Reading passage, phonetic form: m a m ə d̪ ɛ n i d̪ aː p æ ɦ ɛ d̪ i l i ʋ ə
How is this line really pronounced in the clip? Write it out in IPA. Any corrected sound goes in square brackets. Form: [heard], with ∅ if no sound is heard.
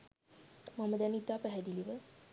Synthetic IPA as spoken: m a m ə d̪ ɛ n i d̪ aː p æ ɦ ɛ d̪ i l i ʋ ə